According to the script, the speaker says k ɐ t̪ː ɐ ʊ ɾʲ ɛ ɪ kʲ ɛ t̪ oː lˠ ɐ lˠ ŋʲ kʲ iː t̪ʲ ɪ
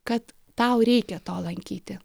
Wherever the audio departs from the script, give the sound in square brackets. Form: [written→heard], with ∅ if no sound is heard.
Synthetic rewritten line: k ɐ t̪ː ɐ ʊ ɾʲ ɛ ɪ kʲ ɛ t̪ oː lˠ ɐ [lˠ→∅] ŋʲ kʲ iː t̪ʲ ɪ